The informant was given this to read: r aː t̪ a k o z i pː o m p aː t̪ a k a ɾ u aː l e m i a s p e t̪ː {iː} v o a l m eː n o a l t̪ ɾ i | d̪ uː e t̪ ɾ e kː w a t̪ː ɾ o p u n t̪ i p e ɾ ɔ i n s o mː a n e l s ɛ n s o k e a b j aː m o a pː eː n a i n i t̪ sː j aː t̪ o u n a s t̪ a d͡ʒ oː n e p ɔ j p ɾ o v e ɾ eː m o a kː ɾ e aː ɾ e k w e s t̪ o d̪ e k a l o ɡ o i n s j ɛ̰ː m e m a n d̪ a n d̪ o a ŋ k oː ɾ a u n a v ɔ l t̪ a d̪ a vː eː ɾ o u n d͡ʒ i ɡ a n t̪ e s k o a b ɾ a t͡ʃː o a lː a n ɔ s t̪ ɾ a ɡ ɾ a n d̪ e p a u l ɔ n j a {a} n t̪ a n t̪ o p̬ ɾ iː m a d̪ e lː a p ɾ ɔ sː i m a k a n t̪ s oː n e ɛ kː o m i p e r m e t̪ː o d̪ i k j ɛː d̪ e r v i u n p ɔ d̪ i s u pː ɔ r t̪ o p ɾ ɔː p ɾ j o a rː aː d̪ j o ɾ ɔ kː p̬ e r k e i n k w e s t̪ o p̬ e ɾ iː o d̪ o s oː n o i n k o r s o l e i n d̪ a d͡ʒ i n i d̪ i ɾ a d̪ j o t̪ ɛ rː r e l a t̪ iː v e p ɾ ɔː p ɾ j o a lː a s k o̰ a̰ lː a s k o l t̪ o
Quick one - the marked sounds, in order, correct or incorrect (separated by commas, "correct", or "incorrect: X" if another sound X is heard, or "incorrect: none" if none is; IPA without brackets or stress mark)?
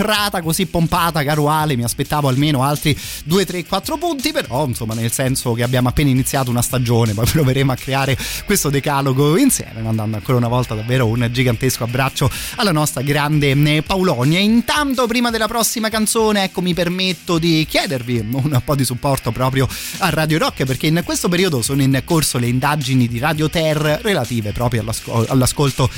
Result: incorrect: aː, incorrect: i